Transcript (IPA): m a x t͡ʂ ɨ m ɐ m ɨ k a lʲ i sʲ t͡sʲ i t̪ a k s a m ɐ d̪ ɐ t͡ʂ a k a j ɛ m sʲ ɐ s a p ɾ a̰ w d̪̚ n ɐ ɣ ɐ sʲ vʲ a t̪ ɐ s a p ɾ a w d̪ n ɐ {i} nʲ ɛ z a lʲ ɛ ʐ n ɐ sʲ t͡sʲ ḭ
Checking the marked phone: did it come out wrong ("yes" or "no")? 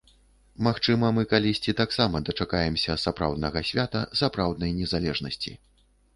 yes